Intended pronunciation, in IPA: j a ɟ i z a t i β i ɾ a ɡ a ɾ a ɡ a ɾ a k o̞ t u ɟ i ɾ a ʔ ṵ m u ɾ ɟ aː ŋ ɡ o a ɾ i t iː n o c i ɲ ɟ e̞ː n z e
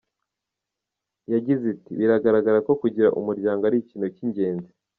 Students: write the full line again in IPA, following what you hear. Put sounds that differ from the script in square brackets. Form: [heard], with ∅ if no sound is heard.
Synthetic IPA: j a ɟ i z [i] t i β i ɾ a ɡ a ɾ a ɡ a ɾ a k o̞ [k] u ɟ i ɾ a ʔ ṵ m u ɾ ɟ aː ŋ ɡ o a ɾ i [c] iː n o c i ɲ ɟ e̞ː n z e